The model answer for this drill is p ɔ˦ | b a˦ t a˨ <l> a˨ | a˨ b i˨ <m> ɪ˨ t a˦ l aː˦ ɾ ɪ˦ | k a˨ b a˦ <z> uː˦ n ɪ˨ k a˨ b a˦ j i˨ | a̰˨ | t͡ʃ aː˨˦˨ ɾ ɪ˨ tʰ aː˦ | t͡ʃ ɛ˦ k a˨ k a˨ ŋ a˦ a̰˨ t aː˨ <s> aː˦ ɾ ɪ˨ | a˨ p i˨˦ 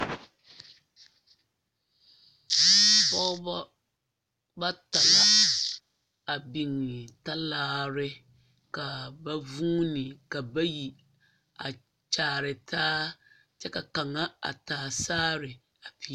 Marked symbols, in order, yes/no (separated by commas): yes, no, no, yes